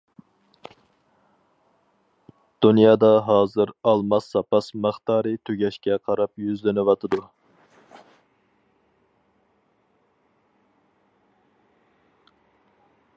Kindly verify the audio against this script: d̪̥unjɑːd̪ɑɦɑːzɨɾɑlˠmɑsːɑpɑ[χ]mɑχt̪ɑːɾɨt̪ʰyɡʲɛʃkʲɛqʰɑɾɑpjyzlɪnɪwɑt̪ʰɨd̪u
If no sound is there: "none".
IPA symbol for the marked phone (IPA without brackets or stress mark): s